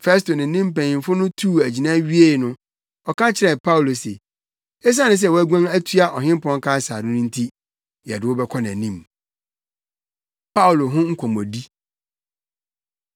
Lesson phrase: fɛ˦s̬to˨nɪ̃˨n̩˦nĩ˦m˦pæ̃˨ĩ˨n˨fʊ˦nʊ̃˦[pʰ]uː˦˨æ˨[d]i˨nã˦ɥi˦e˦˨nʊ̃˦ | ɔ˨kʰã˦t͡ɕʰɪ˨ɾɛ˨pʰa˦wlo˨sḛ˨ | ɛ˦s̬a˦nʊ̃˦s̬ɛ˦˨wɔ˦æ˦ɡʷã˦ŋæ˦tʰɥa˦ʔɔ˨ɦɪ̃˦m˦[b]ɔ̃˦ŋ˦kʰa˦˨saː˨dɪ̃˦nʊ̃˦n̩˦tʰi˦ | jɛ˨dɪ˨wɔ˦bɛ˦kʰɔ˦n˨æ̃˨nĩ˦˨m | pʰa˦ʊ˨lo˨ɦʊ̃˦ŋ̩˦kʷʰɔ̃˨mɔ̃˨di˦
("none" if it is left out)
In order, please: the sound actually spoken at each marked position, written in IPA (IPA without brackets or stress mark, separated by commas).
tʰ, d͡ʑ, p